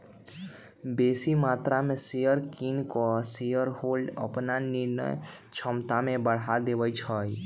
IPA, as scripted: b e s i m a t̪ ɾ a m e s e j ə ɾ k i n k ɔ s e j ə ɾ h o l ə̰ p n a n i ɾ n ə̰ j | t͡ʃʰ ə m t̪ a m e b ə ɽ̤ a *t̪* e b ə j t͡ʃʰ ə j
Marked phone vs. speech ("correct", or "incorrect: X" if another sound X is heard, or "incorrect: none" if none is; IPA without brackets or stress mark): incorrect: d̪